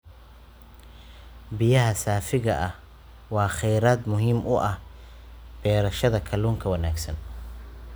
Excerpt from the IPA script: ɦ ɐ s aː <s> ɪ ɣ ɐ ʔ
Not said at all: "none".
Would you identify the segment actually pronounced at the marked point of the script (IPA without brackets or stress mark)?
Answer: f